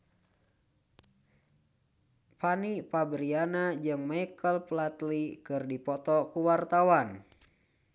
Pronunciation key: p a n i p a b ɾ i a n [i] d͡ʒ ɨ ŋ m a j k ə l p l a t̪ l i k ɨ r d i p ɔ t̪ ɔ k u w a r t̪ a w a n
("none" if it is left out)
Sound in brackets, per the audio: a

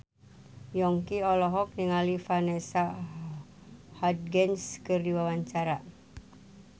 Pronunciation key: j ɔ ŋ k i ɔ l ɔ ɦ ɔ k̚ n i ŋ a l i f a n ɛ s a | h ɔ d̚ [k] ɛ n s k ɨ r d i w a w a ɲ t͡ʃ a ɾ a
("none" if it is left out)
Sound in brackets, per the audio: ɡ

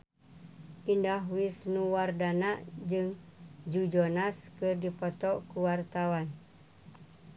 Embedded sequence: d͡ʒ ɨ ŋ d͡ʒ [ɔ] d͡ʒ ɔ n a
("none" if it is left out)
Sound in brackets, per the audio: u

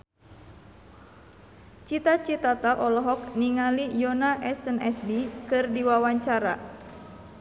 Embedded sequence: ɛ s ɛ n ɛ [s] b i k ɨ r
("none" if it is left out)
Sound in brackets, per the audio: s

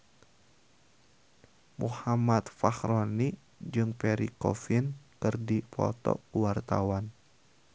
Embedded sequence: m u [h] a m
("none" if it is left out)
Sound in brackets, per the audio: h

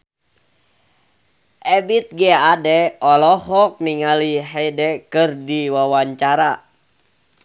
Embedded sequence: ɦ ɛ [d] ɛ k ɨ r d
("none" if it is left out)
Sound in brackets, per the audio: d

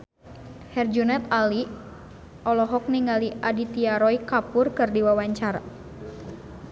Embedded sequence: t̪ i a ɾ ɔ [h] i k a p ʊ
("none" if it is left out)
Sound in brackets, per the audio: none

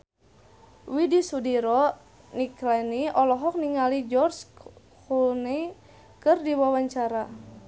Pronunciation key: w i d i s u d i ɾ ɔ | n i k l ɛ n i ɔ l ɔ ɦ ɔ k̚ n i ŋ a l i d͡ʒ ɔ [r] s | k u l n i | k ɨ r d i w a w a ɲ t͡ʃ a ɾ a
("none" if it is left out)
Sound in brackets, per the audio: r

